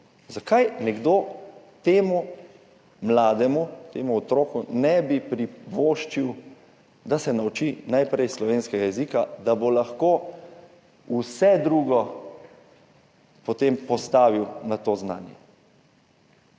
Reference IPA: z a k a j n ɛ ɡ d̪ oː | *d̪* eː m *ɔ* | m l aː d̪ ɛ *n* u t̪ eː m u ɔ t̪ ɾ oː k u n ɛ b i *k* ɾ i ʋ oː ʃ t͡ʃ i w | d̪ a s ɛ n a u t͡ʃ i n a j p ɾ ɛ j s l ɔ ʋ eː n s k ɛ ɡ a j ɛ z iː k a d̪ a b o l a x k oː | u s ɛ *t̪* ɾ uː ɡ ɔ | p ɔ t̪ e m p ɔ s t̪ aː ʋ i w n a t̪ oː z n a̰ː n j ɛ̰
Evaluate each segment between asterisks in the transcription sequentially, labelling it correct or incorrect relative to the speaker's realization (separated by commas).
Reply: incorrect, incorrect, incorrect, incorrect, incorrect